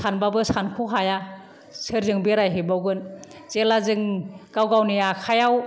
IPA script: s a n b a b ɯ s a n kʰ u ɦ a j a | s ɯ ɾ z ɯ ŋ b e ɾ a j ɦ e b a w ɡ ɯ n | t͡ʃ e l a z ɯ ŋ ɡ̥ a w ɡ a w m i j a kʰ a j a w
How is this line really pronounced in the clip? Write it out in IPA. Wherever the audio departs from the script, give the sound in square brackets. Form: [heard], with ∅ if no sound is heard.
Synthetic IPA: s a n b a b ɯ s a n kʰ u ɦ a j a | s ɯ ɾ z ɯ ŋ b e ɾ a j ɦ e b a w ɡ ɯ n | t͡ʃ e l a z ɯ ŋ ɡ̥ a w ɡ a w [n] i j a kʰ a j a w